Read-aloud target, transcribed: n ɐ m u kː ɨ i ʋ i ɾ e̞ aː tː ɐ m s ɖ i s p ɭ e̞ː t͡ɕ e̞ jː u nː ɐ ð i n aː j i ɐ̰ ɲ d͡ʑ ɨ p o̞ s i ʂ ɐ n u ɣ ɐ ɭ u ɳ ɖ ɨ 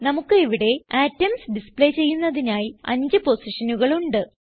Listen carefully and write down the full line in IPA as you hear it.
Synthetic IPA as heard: n ɐ m u kː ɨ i ʋ i ɽ e̞ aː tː ɐ m s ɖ i s p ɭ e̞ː t͡ɕ e̞ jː u nː ɐ ð i n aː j i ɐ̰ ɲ d͡ʑ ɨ p o̞ s i ʂ ɐ n u ɣ ɐ ɭ u ɳ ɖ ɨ